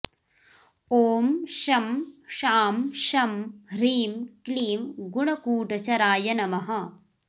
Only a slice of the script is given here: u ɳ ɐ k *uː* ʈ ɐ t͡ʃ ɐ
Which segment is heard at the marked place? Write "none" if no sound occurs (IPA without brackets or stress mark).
uː